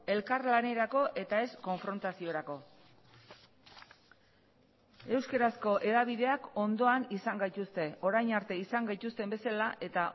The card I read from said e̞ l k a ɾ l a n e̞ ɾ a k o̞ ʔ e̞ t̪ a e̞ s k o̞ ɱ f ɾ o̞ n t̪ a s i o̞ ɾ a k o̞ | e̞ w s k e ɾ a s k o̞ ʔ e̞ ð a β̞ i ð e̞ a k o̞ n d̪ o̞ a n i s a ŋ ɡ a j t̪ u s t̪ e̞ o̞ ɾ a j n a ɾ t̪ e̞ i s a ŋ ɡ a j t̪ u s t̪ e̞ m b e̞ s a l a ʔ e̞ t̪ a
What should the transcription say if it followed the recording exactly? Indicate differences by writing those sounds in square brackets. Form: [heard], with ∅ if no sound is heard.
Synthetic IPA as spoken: e̞ l k a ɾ l a n e̞ ɾ a k o̞ ʔ e̞ t̪ a e̞ s k o̞ ɱ f ɾ o̞ n t̪ a s i o̞ ɾ a k o̞ | e̞ w s k e ɾ a s k o̞ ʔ e̞ ð a β̞ i ð e̞ a k o̞ n d̪ o̞ a n i s a ŋ ɡ a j t̪ u s t̪ e̞ o̞ ɾ a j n a ɾ t̪ e̞ i s a ŋ ɡ a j t̪ u s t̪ e̞ m b e̞ s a l a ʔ e̞ t̪ a